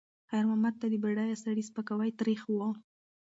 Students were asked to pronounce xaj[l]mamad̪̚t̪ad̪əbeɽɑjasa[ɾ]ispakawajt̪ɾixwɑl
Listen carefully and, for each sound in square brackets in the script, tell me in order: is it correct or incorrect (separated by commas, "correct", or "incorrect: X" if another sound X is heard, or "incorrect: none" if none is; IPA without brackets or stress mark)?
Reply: incorrect: ɾ, incorrect: ɽ